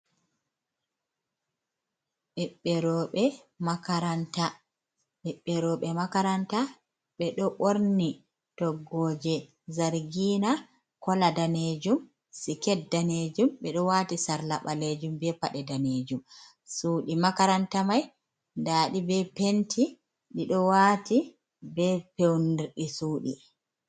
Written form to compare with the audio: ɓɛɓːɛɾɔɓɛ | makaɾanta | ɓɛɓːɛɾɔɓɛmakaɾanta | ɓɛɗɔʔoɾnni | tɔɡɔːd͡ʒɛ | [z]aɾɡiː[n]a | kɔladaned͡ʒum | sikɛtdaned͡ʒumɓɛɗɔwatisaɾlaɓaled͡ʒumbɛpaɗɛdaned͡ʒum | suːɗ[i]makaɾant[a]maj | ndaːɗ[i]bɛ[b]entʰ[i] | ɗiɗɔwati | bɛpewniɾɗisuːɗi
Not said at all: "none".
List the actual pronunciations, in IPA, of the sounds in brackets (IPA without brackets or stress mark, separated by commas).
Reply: z, n, i, a, i, p, i